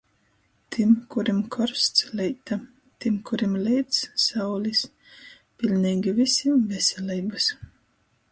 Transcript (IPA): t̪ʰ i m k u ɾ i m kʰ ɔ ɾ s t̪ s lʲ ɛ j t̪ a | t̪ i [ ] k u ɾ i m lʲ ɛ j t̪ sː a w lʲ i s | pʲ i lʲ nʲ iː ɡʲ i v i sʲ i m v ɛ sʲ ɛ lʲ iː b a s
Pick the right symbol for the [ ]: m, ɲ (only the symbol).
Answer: m